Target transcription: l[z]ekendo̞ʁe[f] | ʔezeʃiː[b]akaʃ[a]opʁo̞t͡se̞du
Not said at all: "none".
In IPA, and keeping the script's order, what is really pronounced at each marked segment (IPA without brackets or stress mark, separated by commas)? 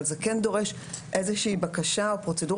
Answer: z, ʃ, b, a